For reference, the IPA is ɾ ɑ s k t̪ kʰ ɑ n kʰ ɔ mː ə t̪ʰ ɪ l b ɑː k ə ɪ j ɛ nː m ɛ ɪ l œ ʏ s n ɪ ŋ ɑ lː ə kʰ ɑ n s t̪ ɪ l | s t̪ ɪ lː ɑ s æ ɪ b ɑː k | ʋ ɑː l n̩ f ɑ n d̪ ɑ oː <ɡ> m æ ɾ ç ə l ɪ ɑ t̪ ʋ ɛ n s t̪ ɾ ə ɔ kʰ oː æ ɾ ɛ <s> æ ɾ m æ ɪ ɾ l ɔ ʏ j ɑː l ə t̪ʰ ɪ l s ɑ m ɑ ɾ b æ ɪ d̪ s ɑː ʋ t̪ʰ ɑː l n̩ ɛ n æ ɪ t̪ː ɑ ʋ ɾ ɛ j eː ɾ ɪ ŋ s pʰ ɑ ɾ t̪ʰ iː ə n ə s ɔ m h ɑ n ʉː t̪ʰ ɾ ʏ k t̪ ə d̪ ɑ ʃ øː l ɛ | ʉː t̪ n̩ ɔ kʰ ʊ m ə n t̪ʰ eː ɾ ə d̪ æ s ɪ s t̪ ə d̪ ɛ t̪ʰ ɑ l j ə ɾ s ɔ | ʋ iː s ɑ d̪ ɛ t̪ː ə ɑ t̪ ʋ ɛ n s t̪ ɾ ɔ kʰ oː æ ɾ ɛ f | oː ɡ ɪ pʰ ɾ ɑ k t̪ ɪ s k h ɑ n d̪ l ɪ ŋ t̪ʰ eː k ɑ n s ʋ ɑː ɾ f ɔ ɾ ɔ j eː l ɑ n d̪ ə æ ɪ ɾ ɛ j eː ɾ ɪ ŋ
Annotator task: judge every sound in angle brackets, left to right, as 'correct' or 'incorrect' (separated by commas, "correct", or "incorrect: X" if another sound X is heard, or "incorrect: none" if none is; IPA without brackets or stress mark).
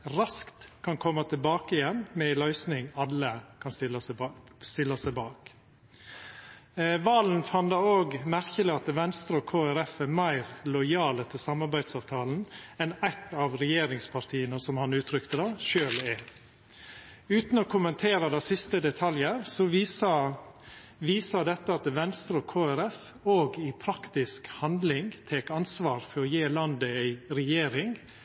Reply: correct, incorrect: f